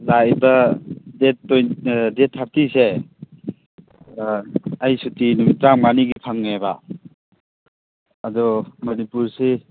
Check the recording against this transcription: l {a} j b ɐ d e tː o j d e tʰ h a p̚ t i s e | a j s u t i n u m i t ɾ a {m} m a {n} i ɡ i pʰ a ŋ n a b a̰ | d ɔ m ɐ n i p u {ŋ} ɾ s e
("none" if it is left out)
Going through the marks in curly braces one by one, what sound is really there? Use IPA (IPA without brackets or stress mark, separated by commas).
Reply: a, ŋ, n, none